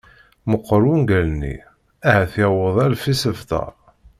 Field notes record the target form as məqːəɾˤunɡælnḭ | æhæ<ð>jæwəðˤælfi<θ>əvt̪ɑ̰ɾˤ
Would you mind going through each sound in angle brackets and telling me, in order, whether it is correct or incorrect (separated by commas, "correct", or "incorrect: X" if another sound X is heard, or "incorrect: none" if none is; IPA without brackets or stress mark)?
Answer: incorrect: θ, incorrect: s